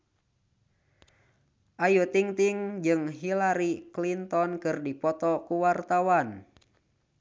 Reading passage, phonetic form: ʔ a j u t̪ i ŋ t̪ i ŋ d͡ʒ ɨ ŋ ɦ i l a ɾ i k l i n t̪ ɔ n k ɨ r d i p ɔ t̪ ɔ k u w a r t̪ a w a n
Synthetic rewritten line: ʔ a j u t̪ i ŋ t̪ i ŋ d͡ʒ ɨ ŋ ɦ i l a ɾ i k l i n t̪ ɔ n k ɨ r d i p ɔ t̪ ɔ k u w a r t̪ a w a n